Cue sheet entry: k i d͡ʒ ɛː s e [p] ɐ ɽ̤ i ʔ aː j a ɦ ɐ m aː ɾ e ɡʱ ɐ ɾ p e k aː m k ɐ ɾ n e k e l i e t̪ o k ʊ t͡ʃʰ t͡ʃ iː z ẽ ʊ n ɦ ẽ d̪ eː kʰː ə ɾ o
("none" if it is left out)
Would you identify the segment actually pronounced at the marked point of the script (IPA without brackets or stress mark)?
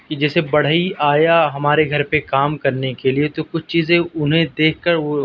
b